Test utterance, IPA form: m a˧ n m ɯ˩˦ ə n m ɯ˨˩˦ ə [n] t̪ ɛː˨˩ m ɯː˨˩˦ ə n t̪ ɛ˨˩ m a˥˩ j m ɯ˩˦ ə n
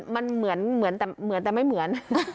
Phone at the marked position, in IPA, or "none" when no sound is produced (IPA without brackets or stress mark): n